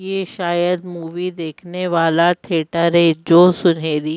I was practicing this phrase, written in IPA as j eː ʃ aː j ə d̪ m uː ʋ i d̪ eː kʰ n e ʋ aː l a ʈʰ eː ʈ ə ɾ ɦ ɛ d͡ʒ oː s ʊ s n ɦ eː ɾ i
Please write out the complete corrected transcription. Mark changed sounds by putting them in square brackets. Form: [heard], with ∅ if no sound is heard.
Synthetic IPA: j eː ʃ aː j ə d̪ m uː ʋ i d̪ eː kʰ n e ʋ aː l a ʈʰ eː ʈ ə ɾ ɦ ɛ d͡ʒ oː s ʊ [∅] n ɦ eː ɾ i